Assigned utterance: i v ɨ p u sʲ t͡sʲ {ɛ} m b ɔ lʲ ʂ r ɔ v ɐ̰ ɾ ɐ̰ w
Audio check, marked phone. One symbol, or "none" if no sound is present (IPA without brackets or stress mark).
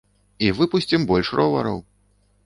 i